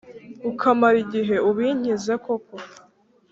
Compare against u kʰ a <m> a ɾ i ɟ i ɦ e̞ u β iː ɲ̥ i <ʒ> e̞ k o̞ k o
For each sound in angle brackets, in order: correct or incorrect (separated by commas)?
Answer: correct, incorrect